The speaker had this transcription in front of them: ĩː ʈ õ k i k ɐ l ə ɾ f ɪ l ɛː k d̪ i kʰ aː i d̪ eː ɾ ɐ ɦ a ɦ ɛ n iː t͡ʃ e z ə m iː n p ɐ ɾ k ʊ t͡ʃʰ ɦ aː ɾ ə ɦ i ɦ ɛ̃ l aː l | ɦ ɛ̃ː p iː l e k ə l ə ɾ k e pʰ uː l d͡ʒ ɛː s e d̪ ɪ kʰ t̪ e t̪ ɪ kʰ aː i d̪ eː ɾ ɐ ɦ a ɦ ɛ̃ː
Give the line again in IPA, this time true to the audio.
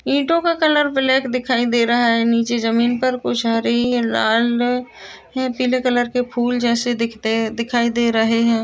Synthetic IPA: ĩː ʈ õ k a k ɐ l ə ɾ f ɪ l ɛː k d̪ ɪ kʰ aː i d̪ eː ɾ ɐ ɦ a ɦ ɛ n iː t͡ʃ e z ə m iː n p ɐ ɾ k ʊ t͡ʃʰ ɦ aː ɾ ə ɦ i ɦ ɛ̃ l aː l | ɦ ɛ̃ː p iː l e k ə l ə ɾ k e pʰ uː l d͡ʒ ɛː s e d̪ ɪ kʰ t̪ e d̪ ɪ kʰ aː i d̪ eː ɾ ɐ ɦ e ɦ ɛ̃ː